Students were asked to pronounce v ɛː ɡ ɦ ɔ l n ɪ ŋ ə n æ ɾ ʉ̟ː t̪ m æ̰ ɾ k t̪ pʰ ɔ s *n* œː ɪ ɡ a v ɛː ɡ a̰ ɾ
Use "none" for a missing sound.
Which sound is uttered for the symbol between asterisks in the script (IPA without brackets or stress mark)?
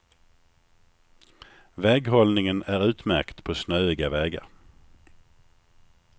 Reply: n